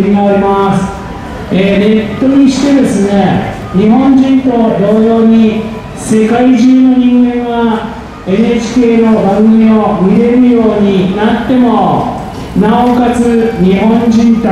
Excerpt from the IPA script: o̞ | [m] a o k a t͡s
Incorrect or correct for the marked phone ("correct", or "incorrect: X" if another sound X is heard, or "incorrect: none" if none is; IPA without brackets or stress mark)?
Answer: incorrect: n